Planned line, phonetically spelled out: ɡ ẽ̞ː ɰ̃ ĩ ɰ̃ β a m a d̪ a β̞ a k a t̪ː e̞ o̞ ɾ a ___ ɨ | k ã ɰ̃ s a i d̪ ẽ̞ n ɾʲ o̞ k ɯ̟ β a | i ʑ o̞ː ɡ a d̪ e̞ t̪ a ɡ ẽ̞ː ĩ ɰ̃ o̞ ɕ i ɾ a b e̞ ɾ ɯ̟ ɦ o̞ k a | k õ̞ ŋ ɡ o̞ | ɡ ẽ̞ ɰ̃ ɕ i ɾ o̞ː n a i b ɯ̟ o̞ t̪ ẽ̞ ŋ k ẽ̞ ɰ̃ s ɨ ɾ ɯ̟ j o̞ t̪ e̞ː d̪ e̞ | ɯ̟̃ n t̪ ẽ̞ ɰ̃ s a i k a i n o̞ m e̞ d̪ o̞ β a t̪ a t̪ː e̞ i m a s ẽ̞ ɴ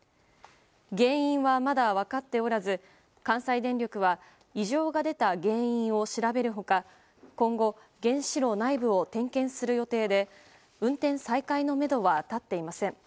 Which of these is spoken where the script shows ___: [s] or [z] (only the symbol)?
z